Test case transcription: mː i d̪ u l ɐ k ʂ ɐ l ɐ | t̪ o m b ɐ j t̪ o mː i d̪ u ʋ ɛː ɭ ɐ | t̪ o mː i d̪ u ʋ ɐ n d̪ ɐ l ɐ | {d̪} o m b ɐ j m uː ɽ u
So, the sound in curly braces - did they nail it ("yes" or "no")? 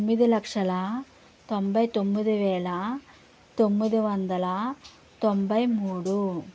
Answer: no